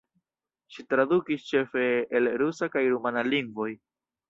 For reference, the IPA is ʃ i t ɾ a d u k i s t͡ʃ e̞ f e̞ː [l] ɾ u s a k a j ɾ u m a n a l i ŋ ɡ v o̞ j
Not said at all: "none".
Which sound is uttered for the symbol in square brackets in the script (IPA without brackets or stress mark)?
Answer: l